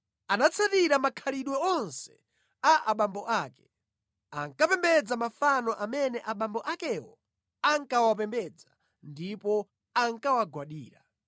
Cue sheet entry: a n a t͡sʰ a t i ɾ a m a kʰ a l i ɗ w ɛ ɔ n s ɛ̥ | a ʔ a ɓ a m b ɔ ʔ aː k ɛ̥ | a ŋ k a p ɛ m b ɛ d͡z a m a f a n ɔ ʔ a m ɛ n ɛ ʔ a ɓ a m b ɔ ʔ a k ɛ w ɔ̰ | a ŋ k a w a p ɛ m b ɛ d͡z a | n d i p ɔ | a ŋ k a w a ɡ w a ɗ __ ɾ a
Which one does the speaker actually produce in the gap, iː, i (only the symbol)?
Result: iː